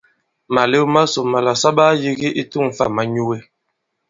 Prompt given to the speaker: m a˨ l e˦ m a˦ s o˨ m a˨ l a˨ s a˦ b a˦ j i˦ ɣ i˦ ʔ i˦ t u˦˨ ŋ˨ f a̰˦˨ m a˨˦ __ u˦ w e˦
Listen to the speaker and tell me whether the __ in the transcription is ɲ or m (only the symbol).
ɲ